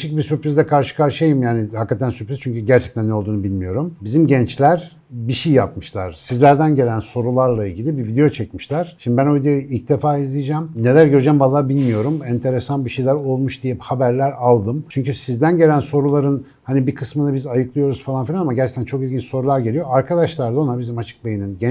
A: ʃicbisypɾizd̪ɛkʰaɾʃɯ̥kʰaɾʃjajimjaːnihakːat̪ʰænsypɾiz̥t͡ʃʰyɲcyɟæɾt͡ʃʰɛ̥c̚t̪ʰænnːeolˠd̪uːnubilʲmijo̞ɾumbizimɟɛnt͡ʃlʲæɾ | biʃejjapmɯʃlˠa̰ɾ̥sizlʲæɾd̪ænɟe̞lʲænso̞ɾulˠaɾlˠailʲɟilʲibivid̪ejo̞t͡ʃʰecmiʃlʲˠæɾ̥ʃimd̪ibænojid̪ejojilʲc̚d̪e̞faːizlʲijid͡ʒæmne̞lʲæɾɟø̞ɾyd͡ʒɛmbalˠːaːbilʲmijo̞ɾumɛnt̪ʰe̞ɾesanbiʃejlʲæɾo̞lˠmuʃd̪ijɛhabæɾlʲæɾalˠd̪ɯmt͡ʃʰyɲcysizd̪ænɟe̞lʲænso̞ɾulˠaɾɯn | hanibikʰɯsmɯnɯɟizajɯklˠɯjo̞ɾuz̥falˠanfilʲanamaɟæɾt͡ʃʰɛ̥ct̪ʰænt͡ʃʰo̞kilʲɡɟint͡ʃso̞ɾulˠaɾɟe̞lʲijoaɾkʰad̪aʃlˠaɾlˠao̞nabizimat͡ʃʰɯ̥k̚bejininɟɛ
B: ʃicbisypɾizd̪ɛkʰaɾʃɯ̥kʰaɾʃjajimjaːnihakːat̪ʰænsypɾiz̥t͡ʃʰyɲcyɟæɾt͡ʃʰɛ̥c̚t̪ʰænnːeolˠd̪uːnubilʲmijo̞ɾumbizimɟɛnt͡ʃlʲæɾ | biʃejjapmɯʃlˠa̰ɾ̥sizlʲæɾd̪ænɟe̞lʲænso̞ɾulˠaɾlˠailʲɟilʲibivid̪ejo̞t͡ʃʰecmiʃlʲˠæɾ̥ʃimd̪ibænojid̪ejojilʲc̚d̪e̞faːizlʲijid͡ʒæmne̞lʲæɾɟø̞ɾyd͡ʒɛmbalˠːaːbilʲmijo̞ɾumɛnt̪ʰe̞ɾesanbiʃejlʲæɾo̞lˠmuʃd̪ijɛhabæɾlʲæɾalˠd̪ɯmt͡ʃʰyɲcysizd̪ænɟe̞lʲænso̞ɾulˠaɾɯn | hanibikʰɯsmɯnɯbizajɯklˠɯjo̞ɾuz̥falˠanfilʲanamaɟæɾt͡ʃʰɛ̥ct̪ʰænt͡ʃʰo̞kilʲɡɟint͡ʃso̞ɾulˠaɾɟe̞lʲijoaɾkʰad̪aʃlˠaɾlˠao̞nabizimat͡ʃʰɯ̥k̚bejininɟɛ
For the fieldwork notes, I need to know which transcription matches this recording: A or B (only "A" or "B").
B